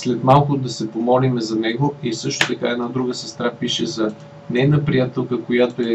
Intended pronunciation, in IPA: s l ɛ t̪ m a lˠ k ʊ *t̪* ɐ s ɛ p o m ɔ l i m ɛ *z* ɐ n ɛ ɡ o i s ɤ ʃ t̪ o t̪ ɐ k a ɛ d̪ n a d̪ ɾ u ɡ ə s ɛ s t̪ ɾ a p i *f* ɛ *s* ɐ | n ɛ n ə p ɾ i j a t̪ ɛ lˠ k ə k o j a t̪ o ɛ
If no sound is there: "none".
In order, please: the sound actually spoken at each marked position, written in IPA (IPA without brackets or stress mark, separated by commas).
d̪, z, ʃ, z